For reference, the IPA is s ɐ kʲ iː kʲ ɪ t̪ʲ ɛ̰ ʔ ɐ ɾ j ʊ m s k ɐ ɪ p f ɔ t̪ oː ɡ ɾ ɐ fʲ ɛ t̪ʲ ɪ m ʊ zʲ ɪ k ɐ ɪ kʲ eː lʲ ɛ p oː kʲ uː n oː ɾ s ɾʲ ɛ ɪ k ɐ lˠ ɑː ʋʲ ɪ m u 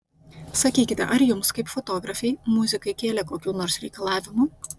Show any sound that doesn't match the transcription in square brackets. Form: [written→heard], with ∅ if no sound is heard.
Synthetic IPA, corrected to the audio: s ɐ kʲ iː kʲ ɪ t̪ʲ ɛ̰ ʔ ɐ ɾ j ʊ m s k ɐ ɪ p f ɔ t̪ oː ɡ ɾ ɐ fʲ ɛ [t̪ʲ→∅] ɪ m ʊ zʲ ɪ k ɐ ɪ kʲ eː lʲ ɛ [p→k] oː kʲ uː n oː ɾ s ɾʲ ɛ ɪ k ɐ lˠ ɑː ʋʲ ɪ m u